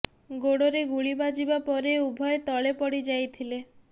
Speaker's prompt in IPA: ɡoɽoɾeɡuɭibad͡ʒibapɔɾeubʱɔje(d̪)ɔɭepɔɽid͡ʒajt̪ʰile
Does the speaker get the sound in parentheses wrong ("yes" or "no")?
yes